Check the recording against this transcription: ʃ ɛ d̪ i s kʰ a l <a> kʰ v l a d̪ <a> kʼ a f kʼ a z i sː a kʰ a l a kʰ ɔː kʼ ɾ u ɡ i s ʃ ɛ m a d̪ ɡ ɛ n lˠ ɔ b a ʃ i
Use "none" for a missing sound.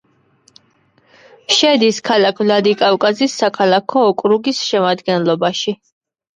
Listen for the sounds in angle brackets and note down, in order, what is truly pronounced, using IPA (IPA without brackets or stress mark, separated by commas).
a, i